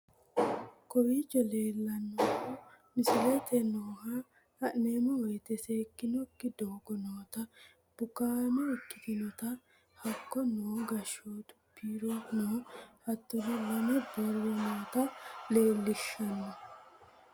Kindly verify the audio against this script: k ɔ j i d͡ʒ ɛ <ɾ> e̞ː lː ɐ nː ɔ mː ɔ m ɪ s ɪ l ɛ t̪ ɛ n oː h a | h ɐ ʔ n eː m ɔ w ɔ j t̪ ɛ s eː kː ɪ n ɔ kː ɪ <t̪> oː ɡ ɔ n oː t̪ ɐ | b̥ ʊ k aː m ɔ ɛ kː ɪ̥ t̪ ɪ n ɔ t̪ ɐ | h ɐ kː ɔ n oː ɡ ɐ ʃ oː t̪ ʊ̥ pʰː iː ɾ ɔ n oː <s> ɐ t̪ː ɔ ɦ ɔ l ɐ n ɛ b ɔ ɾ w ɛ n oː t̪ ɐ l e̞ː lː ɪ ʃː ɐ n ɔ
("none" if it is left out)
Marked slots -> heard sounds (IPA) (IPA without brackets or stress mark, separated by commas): l, d̪, h